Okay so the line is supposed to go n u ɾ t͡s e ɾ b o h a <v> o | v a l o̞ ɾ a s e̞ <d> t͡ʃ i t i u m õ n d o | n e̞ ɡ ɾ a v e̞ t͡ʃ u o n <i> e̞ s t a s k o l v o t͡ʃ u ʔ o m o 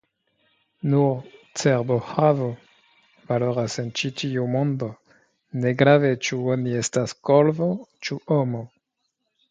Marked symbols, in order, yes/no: yes, no, yes

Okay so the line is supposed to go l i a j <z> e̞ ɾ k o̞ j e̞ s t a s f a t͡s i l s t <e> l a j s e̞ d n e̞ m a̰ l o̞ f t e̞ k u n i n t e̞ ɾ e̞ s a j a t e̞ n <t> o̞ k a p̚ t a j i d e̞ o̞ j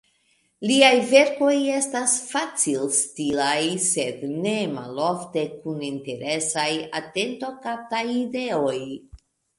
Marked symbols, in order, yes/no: no, no, yes

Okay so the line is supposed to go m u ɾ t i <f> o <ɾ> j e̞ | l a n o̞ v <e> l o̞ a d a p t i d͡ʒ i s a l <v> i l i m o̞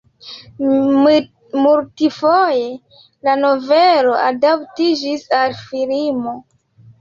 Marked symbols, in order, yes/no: yes, no, yes, no

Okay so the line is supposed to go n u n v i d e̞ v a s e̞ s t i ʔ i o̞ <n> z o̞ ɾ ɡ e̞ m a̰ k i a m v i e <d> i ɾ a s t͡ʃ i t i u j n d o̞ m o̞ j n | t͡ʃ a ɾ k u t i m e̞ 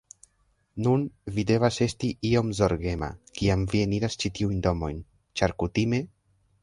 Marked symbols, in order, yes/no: no, no

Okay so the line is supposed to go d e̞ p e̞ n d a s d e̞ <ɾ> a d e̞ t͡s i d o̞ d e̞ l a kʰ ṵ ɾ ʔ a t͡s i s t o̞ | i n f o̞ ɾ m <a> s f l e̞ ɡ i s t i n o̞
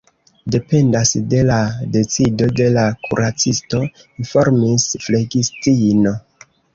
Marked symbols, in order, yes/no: no, no

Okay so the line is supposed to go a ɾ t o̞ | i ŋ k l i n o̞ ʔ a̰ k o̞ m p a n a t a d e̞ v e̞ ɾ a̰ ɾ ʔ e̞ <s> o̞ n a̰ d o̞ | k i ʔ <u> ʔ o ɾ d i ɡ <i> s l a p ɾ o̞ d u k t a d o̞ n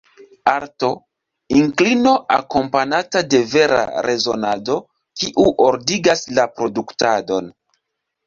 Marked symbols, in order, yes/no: no, yes, no

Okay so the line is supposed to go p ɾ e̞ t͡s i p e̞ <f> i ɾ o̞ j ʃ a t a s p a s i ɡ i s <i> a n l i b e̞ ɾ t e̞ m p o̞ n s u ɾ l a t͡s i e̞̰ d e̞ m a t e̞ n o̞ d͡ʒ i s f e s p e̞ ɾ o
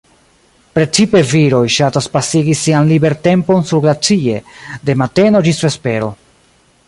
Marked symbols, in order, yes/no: no, yes

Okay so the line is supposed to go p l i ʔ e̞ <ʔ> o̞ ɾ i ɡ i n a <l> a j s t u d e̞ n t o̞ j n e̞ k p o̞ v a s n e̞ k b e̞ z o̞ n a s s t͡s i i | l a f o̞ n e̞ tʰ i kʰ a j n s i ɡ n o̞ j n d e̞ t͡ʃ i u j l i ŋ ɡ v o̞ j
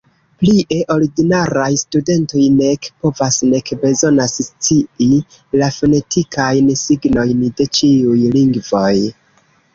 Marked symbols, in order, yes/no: yes, no

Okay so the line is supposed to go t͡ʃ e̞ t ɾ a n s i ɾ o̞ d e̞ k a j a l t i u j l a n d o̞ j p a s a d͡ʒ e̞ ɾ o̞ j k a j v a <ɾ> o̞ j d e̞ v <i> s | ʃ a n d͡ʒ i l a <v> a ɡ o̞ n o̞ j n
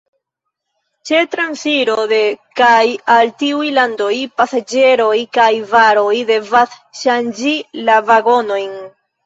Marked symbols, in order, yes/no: yes, no, yes

